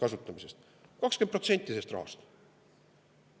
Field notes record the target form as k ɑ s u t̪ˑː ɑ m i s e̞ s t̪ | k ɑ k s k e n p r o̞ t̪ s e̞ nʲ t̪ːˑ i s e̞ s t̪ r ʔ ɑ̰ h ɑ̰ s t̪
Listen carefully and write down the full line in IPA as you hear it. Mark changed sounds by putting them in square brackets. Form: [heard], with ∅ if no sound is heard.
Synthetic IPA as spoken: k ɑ s u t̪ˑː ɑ m i s e̞ s t̪ | k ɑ k s k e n p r o̞ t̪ s e̞ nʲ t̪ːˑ i s e̞ s t̪ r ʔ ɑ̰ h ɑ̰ s t̪